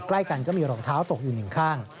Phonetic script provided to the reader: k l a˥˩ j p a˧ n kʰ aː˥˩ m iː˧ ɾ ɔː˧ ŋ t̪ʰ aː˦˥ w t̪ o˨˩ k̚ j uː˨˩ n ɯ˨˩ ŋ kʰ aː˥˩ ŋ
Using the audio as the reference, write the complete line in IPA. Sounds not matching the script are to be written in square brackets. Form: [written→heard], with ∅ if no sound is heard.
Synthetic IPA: k l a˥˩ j [p→k] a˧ n [kʰ→k] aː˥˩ m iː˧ ɾ ɔː˧ ŋ t̪ʰ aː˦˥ w t̪ o˨˩ k̚ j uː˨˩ n ɯ˨˩ ŋ kʰ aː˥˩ ŋ